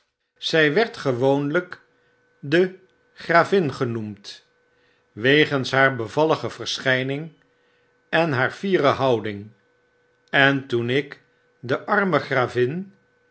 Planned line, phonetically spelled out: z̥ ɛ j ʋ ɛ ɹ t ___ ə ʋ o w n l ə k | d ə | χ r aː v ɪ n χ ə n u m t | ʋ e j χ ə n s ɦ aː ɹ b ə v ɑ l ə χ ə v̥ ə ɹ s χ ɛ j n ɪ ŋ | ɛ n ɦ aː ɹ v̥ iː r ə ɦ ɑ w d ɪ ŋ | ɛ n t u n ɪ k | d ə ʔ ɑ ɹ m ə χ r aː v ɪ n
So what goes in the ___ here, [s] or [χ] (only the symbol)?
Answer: χ